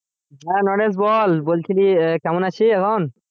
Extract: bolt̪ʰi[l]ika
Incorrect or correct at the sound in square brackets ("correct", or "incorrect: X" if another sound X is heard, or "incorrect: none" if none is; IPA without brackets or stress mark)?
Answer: correct